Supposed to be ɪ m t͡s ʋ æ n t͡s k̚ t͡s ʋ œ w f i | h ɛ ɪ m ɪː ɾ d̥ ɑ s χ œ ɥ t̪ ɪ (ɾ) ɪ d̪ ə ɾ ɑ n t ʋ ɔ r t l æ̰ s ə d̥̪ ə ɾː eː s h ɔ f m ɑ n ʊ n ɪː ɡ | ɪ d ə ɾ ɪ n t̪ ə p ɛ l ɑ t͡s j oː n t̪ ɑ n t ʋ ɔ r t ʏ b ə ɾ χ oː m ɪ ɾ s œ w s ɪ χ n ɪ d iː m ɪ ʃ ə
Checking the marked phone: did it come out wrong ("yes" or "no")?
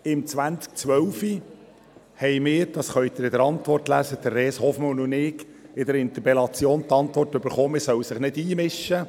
no